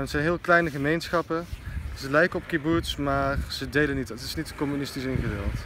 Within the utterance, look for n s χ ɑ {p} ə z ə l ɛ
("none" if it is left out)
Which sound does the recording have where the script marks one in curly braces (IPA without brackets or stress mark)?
p